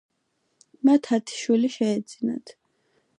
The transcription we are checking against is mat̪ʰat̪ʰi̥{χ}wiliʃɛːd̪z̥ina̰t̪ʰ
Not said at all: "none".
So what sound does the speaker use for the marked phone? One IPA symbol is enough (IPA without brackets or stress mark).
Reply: ʃ